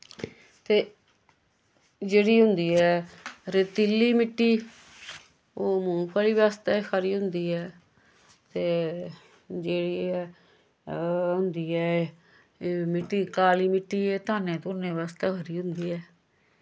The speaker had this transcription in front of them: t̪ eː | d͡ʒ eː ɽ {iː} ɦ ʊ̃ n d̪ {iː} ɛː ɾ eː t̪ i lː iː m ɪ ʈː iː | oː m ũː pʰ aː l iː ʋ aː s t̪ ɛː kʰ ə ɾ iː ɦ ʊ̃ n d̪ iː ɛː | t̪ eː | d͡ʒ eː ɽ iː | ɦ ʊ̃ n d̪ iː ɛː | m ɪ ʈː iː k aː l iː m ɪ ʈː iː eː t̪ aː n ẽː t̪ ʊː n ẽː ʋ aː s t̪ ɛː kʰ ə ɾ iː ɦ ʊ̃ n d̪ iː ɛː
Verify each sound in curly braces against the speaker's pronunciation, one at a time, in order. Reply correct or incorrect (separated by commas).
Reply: correct, correct